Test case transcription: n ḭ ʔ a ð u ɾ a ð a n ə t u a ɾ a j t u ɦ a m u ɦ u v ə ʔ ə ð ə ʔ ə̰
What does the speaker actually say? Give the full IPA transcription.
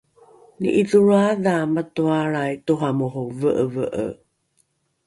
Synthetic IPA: n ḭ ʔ i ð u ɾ a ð a m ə t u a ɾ a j t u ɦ a m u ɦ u v ə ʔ ə v ə ʔ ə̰